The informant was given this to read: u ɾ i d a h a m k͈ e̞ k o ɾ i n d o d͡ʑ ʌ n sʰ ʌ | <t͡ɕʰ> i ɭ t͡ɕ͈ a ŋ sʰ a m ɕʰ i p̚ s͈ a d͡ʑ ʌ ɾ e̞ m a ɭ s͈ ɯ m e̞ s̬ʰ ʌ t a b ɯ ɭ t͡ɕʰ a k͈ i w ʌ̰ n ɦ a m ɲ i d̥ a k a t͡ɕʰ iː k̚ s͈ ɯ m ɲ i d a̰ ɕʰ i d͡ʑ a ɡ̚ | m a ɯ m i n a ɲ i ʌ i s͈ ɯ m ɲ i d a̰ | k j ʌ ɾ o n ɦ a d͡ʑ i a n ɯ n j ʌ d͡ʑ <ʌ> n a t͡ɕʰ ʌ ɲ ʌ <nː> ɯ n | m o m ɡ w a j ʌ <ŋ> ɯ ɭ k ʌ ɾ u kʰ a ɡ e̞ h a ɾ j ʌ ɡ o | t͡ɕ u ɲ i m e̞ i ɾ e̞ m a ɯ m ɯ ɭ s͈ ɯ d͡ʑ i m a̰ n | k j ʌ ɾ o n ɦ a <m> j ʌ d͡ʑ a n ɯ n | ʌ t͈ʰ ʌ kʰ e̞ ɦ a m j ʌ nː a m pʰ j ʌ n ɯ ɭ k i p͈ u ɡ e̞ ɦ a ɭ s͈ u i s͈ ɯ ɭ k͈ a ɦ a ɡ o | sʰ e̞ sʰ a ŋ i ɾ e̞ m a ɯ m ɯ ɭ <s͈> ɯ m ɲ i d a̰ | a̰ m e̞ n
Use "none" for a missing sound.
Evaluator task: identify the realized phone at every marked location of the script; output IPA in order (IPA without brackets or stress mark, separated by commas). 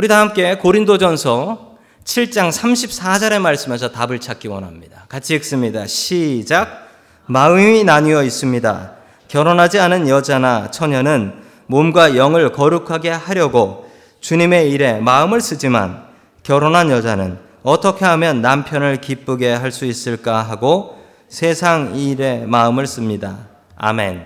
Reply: t͡ɕʰ, a, n, ŋ, n, s͈